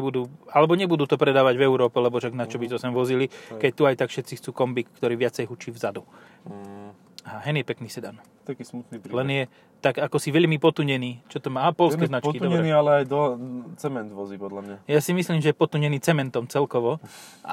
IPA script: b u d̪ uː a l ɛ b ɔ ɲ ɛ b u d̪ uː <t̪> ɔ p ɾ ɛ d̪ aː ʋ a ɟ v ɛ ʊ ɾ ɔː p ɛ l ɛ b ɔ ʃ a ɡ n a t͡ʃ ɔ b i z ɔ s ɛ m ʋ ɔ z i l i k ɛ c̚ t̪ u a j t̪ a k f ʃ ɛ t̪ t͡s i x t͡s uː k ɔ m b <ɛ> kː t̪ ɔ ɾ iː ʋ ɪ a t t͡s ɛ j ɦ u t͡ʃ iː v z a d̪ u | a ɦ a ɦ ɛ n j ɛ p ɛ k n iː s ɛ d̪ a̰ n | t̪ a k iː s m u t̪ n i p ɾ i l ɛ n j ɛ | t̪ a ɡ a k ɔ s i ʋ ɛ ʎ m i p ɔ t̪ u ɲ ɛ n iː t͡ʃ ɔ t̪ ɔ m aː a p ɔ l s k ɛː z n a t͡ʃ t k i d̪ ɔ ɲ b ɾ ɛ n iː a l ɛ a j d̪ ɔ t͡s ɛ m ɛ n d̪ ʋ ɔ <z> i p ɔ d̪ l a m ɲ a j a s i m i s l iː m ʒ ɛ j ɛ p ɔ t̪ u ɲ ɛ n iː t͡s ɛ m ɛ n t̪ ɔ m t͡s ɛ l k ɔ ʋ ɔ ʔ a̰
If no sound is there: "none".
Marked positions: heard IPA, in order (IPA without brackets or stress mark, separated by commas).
t̪, i, z